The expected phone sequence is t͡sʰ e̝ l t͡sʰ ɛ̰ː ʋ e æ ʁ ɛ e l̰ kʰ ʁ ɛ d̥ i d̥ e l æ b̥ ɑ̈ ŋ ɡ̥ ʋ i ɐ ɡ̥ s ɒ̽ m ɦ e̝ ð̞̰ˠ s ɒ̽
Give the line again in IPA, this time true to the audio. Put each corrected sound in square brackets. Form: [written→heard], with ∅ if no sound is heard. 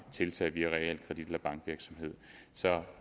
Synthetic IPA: t͡sʰ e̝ l t͡sʰ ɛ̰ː ʋ [e→i] æ ʁ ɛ e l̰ kʰ ʁ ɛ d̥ i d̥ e l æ b̥ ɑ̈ ŋ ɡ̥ ʋ i ɐ ɡ̥ s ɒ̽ m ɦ e̝ ð̞̰ˠ s ɒ̽